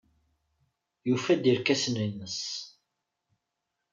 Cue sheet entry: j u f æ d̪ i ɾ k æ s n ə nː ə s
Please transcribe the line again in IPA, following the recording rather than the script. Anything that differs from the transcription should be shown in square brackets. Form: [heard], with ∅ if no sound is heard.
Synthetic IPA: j u f æ d̪ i ɾ k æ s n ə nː ə s